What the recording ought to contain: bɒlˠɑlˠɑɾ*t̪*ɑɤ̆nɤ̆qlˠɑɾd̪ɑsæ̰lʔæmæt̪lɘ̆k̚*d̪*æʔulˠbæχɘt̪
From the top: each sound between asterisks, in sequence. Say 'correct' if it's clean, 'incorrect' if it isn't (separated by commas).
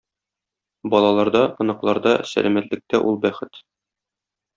incorrect, incorrect